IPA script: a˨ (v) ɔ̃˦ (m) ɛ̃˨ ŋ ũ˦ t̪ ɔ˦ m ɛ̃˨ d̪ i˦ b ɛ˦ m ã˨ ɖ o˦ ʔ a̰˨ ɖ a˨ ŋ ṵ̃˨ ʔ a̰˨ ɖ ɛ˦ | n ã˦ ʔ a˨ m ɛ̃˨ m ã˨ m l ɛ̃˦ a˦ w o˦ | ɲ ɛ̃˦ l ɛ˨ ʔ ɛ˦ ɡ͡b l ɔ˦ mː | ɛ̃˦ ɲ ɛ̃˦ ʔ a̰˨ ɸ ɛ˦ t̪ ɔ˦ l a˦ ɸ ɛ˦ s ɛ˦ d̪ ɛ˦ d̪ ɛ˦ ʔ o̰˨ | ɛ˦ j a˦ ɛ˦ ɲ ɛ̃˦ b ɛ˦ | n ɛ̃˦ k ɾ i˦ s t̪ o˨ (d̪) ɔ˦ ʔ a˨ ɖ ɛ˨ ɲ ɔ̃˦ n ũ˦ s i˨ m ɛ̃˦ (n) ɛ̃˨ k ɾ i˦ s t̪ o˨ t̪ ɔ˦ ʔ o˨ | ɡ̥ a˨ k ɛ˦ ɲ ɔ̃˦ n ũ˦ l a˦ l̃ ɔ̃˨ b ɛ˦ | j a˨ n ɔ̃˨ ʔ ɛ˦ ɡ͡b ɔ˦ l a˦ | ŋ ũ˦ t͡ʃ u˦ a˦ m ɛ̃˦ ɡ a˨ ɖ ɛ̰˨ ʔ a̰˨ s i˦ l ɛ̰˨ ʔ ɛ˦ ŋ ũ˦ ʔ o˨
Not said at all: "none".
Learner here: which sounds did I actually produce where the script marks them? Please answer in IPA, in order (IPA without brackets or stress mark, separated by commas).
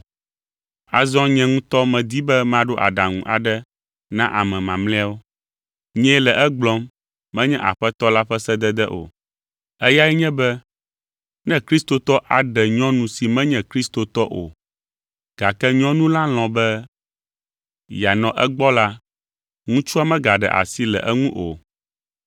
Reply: z, ɲ, t̪, ɲ